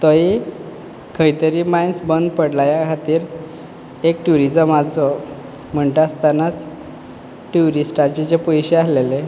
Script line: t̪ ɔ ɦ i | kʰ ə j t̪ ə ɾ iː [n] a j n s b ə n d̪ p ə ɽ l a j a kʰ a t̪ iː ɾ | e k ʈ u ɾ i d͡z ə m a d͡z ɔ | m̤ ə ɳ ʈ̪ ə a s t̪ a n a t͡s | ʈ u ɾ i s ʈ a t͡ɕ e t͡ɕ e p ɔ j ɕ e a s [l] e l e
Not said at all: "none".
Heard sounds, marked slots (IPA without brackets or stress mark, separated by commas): m, l